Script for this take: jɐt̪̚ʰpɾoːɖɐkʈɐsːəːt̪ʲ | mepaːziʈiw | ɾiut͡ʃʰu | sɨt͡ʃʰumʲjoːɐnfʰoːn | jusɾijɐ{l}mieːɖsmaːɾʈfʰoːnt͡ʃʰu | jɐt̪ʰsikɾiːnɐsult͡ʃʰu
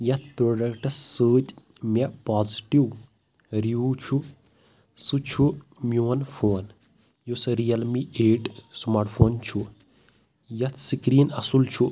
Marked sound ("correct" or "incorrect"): correct